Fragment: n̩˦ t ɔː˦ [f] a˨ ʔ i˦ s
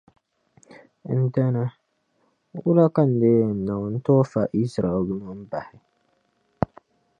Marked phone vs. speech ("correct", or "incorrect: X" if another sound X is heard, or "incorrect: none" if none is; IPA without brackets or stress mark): correct